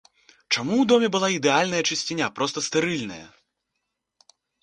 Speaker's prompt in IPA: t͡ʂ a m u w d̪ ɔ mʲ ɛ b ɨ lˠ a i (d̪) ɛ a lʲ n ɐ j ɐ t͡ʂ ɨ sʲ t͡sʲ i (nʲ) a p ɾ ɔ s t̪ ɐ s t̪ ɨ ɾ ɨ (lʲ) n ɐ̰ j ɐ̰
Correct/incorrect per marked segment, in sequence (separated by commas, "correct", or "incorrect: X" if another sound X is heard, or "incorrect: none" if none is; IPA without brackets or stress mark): correct, correct, correct